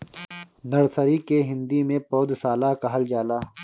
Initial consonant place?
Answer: alveolar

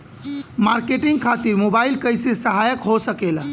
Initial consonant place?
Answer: labial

